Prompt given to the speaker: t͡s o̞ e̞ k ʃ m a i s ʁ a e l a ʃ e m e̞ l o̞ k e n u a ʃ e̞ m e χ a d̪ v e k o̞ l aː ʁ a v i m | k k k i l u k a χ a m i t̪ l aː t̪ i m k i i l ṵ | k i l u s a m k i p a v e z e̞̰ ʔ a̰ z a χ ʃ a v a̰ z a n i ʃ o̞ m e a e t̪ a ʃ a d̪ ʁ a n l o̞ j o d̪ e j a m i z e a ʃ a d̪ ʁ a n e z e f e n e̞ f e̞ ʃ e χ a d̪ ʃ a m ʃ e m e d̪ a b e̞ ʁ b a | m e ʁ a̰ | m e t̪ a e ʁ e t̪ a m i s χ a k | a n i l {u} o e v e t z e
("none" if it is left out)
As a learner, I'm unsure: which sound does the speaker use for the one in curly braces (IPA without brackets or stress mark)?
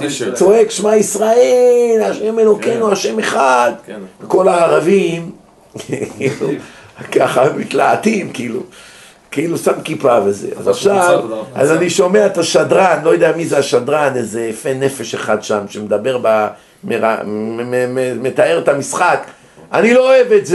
o